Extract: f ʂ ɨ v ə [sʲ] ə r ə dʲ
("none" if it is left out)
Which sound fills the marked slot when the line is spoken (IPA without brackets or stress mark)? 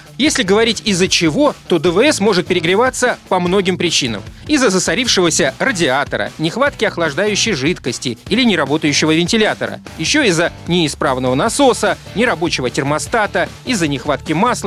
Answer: sʲ